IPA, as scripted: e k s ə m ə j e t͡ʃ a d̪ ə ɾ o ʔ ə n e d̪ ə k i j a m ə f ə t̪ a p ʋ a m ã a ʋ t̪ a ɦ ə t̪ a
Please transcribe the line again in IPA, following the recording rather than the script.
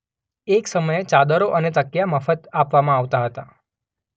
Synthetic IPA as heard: e k s ə m ə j e t͡ʃ a d̪ ə ɾ o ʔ ə n e t̪ ə k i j a m ə f ə t̪ a p ʋ a m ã a ʋ t̪ a ɦ ə t̪ a

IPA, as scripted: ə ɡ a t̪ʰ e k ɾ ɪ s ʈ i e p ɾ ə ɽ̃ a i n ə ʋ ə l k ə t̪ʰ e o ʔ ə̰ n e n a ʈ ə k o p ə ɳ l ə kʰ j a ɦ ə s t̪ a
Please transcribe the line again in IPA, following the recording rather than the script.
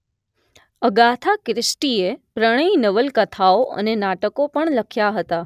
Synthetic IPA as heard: ə ɡ a t̪ʰ a k ɾ ɪ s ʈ i e p ɾ ə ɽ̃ ə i n ə ʋ ə l k ə t̪ʰ a o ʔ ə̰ n e n a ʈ ə k o p ə ɳ l ə kʰ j a ɦ ə t̪ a

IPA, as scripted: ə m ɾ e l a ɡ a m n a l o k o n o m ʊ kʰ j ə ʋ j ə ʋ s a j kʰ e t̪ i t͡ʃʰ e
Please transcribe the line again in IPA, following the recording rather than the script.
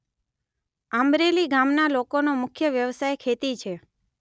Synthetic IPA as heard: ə m ɾ e l i ɡ a m n a l o k o n o m ʊ kʰ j ə ʋ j ə ʋ s a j kʰ e t̪ i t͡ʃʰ e

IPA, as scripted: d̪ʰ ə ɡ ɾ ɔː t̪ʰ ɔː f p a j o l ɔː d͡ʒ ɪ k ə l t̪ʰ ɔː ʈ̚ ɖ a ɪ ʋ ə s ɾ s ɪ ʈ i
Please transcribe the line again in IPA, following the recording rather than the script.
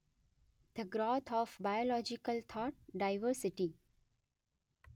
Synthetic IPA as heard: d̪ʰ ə ɡ ɾ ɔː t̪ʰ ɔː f b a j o l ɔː d͡ʒ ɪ k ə l t̪ʰ ɔː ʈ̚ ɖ a ɪ ʋ ə ɾ s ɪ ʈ i

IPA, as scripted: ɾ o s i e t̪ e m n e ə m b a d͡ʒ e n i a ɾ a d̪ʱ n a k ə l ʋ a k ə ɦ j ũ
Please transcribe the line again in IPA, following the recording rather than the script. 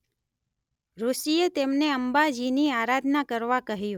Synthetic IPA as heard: ɾ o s i e t̪ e m n e ə m b a d͡ʒ i n i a ɾ a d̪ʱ n a k ə ɾ ʋ a k ə ɦ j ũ

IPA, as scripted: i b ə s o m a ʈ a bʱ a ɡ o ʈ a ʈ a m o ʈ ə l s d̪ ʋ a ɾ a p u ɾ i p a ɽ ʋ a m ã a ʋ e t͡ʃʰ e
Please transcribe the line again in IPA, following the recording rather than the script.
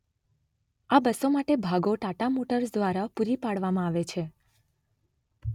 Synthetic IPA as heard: a b ə s o m a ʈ e bʱ a ɡ o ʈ a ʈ a m o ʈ ə ɾ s d̪ ʋ a ɾ a p u ɾ i p a ɽ ʋ a m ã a ʋ e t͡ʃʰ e

